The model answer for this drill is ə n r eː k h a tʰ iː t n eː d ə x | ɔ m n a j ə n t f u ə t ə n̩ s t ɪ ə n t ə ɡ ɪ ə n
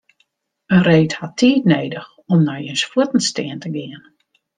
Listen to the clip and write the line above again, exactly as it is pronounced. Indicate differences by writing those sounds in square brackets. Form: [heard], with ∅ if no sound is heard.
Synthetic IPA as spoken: ə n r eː [t] h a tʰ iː t n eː d ə x | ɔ m n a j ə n [s] f u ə t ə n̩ s t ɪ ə n t ə ɡ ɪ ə n